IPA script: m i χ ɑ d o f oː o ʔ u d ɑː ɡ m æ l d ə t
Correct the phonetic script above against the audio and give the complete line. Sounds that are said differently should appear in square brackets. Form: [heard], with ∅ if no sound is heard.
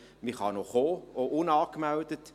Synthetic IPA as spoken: m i χ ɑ [n] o [χ] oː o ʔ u [n] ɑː [k] m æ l d ə t